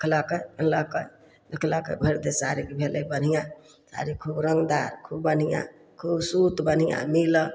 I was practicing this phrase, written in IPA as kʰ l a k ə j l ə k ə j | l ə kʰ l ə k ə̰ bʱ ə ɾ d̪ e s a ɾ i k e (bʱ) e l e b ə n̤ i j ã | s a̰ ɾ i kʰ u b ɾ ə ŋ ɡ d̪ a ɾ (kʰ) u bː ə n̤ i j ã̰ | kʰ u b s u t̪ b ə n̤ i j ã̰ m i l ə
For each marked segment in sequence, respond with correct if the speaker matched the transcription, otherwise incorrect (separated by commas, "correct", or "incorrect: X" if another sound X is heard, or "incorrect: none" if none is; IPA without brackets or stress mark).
correct, correct